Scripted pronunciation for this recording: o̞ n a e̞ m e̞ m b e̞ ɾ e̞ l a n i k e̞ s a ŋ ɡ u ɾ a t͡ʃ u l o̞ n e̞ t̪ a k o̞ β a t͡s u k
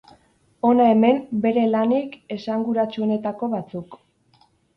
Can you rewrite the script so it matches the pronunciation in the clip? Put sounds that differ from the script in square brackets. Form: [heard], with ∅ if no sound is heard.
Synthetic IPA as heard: o̞ n a e̞ m e̞ m b e̞ ɾ e̞ l a n i k e̞ s a ŋ ɡ u ɾ a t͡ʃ u [∅] o̞ n e̞ t̪ a k o̞ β a t͡s u k

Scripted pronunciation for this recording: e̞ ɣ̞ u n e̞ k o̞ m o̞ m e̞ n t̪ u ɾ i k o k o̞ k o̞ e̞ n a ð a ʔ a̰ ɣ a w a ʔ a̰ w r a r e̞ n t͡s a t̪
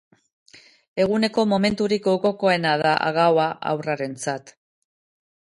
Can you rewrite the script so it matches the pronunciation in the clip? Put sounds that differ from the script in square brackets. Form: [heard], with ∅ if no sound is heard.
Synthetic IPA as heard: e̞ ɣ̞ u n e̞ k o̞ m o̞ m e̞ n t̪ u ɾ i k o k o̞ k o̞ e̞ n a ð a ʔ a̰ ɣ a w a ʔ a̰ w r a [ɾ] e̞ n t͡s a t̪

